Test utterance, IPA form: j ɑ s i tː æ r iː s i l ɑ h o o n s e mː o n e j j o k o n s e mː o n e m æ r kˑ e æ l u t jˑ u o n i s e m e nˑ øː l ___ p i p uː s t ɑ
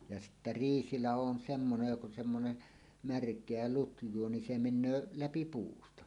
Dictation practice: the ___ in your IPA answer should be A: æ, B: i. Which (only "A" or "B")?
A